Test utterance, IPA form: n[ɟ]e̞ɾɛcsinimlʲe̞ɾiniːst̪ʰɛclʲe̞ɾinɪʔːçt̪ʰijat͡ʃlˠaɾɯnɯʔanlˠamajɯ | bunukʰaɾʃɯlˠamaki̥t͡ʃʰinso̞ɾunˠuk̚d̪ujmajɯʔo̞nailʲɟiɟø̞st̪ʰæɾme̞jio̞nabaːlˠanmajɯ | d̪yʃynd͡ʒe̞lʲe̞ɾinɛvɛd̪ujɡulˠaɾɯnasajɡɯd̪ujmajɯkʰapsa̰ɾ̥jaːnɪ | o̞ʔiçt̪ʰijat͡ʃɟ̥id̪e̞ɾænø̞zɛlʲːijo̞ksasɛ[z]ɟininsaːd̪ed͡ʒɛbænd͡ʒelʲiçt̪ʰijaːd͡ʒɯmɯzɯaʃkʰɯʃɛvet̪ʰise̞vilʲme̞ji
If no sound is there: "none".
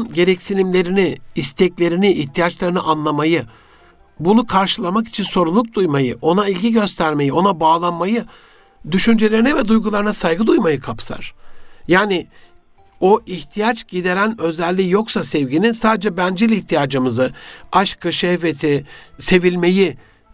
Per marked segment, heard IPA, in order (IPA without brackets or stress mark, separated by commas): ɟ, v